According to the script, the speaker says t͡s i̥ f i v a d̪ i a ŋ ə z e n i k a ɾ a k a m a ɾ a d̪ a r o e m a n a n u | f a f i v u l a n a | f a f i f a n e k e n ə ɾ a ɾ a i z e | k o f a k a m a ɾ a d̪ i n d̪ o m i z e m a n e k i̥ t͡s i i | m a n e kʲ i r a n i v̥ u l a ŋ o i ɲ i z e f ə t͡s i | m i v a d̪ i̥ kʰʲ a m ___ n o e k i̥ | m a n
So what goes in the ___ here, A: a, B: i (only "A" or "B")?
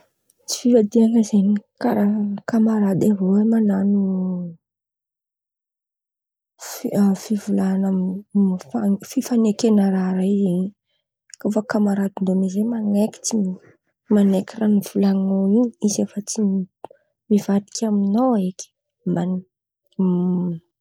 B